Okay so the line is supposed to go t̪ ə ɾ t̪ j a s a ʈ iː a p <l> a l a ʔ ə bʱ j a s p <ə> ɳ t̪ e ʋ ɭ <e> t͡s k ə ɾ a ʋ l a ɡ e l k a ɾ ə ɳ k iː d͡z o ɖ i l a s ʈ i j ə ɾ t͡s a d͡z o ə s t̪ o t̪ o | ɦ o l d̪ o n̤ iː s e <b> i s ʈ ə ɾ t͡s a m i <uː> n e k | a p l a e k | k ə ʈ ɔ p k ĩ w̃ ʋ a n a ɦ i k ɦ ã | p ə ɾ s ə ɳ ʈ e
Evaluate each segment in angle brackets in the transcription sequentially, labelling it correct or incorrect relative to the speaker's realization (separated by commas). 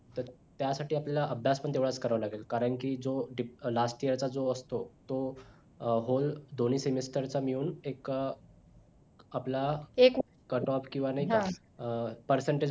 correct, correct, incorrect, incorrect, correct